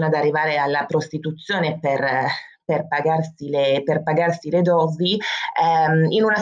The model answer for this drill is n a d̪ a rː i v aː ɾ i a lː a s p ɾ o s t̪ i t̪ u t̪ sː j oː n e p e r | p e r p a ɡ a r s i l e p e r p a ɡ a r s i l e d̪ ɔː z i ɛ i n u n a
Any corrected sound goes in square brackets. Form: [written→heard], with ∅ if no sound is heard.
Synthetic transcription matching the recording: n a d̪ a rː i v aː ɾ [i→e] a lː a [s→∅] p ɾ o s t̪ i t̪ u t̪ sː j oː n e p e r | p e r p a ɡ a r s i l e p e r p a ɡ a r s i l e d̪ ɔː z i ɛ i n u n a